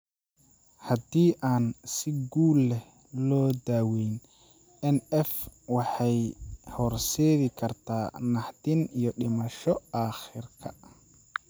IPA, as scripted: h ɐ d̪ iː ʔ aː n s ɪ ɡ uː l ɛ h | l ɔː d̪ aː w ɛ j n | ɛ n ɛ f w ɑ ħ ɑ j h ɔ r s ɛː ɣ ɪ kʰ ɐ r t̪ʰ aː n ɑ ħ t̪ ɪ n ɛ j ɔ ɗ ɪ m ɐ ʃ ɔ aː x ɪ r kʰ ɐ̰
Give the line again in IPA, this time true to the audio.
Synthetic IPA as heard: h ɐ d̪ iː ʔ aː n s ɪ ɡ uː l ɛ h | l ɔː d̪ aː w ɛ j n | ɛ n ɛ f w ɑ ħ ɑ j h ɔ r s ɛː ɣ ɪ kʰ ɐ r t̪ʰ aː n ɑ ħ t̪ ɪ n i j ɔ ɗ ɪ m ɐ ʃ ɔ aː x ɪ r kʰ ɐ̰